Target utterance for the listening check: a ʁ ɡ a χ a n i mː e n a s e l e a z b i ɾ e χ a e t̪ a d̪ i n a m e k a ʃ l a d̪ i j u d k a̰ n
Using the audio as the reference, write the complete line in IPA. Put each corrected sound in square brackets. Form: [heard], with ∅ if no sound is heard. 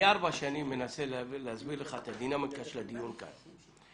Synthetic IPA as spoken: a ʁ [b] a [ʃ] a n i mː e n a s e l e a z b i [l] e χ a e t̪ a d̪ i n a m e k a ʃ l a d̪ i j u [n] k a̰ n